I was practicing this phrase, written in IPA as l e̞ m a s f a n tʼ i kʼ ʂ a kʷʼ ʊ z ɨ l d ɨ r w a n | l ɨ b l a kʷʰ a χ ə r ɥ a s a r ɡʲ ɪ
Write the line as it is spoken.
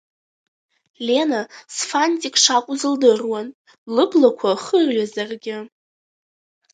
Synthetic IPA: l e̞ n a s f a n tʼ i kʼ ʂ a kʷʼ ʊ z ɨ l d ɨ r w a n | l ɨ b l a kʷʰ a χ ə r ɥ a z a r ɡʲ ɪ